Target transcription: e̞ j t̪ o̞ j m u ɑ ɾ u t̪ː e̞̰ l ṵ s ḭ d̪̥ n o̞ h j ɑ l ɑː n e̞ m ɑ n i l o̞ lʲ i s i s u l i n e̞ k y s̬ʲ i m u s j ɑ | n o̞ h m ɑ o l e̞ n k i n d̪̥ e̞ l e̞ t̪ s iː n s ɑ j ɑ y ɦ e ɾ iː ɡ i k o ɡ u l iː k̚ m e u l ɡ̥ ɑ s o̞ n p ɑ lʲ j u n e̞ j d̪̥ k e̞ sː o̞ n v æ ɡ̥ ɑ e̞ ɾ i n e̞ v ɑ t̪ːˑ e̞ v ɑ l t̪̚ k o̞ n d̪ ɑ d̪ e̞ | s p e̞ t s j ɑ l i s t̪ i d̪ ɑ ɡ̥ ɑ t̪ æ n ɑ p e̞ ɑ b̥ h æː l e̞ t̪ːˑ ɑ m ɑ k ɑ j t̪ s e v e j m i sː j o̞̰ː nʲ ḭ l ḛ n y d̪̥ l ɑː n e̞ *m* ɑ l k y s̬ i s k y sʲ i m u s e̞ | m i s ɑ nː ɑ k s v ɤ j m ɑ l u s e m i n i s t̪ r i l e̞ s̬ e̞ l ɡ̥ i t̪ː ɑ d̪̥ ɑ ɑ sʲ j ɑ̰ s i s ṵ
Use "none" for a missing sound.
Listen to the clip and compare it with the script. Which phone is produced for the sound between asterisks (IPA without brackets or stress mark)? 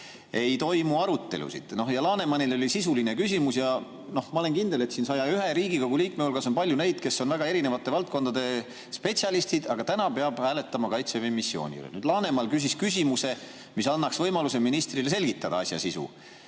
m